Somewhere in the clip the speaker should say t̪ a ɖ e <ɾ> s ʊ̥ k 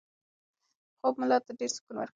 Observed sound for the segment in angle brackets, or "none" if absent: ɾ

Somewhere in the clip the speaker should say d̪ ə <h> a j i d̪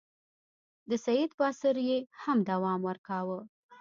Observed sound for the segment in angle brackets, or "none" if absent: s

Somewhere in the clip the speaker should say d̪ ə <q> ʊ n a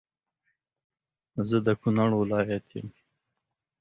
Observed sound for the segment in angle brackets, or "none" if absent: k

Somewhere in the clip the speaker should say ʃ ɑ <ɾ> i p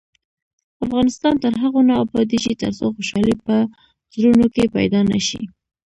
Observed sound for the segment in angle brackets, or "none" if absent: l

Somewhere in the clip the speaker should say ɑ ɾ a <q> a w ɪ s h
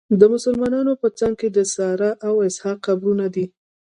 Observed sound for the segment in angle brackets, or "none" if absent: ʔ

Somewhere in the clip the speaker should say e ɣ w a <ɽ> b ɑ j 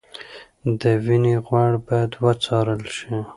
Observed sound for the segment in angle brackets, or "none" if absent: ɽ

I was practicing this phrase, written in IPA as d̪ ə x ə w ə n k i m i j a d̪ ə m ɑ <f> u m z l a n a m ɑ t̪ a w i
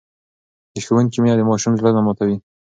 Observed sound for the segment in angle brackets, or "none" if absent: ʃ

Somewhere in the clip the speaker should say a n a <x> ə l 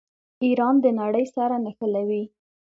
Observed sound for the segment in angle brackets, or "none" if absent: x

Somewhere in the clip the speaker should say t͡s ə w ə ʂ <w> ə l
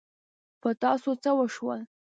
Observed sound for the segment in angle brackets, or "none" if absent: w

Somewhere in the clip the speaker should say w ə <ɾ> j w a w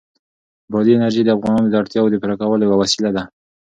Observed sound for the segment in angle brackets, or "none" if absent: l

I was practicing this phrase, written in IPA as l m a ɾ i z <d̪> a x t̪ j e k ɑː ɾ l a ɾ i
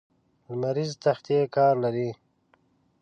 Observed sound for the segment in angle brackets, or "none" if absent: t̪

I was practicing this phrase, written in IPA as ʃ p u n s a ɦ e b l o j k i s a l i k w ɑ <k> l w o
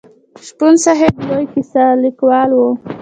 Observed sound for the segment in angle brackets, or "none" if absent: none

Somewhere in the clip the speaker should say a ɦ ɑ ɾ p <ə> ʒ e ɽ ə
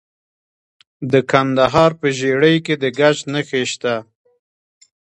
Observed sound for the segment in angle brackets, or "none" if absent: ə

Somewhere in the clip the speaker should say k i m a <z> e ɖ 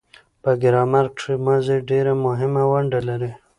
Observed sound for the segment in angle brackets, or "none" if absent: z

